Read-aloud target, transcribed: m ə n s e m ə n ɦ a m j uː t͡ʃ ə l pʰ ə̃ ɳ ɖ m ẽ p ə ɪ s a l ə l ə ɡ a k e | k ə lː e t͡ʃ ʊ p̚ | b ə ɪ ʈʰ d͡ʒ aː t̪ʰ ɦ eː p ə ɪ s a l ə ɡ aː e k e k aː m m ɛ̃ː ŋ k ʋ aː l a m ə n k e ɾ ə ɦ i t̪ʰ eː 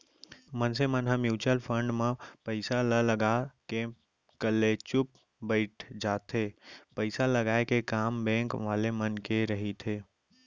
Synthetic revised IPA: m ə n s e m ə n ɦ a m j uː t͡ʃ ə l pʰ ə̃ ɳ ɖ m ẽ p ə ɪ s a l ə l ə ɡ a k e | k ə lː e t͡ʃ ʊ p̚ | b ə ɪ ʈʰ d͡ʒ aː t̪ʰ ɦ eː p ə ɪ s a l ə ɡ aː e k e k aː m b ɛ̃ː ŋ k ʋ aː l e m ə n k e ɾ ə ɦ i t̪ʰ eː